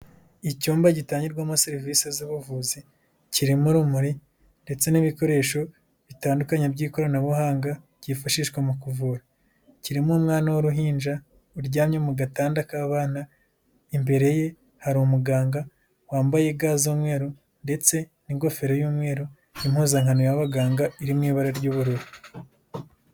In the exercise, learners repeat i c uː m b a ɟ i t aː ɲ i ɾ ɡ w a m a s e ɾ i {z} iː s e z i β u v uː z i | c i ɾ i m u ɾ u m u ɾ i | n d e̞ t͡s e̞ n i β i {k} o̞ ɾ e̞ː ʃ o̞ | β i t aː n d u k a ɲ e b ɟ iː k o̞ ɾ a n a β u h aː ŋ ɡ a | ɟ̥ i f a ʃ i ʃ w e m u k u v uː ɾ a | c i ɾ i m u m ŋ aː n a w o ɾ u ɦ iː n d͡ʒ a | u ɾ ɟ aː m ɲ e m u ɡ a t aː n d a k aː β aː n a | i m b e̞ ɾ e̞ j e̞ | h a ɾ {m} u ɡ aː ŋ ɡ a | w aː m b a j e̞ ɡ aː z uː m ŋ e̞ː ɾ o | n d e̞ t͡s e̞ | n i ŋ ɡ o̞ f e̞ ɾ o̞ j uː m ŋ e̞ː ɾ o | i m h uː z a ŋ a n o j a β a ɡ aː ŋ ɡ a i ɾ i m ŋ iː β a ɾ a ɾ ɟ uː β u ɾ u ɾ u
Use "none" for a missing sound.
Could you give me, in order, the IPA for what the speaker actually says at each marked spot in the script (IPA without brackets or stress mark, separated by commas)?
v, k, m